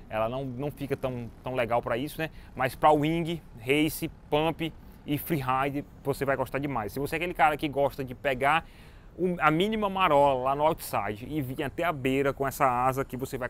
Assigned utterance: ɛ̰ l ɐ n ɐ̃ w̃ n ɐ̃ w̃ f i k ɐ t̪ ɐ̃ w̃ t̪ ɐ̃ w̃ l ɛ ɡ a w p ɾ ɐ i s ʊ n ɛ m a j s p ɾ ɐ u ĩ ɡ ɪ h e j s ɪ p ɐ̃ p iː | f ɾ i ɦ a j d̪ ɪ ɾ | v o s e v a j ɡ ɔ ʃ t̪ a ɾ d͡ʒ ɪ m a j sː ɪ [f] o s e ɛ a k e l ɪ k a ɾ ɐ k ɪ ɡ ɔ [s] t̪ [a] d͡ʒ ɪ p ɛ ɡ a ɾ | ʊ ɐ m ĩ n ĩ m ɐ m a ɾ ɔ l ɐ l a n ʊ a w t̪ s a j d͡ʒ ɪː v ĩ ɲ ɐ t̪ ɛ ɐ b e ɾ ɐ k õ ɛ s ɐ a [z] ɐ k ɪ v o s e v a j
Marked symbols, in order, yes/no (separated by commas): no, no, no, yes